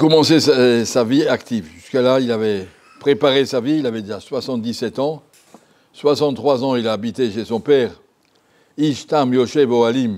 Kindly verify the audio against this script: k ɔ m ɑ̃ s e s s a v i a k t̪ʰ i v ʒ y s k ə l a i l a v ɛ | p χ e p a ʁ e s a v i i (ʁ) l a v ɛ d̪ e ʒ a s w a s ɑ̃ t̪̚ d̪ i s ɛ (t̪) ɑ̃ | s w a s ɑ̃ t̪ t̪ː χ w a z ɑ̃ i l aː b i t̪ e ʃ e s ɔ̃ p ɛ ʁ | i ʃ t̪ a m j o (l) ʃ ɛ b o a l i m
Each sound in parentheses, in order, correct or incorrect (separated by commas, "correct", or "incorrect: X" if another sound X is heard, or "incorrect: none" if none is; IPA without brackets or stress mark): incorrect: none, correct, incorrect: none